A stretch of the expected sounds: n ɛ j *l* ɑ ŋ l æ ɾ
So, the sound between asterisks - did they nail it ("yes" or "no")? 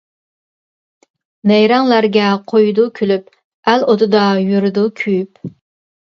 no